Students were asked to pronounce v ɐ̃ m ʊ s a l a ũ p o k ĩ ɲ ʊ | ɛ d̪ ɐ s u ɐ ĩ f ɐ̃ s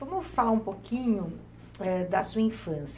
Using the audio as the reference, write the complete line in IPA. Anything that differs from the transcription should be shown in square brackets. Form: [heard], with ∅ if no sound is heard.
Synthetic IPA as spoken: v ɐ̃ m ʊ [f] a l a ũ p o k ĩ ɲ ʊ | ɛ d̪ ɐ s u ɐ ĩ f ɐ̃ s